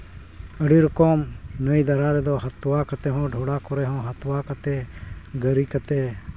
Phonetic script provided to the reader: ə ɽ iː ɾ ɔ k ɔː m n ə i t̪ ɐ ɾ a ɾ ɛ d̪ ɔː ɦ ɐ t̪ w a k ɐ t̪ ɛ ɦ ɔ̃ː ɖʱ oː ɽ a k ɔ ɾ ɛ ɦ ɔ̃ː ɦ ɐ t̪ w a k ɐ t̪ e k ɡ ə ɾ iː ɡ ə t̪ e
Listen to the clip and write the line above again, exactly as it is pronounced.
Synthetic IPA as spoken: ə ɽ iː ɾ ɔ k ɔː m n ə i d̪ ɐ ɾ a ɾ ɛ d̪ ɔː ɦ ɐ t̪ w a k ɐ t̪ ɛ ɦ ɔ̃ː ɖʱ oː ɽ a k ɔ ɾ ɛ ɦ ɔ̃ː ɦ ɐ t̪ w a k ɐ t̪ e ɡ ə ɾ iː k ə t̪ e